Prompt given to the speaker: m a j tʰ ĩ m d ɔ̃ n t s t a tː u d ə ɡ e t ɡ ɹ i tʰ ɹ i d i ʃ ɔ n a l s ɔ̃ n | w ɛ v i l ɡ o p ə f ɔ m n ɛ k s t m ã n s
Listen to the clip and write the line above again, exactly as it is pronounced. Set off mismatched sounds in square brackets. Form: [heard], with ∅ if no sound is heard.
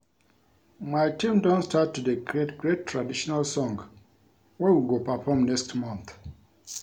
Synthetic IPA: m a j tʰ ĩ m d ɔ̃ n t s t a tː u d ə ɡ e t ɡ ɹ [e] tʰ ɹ [a] d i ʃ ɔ n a l s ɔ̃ [ŋ] | w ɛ [w] i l ɡ o p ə f ɔ m n ɛ k s t m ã n [θ]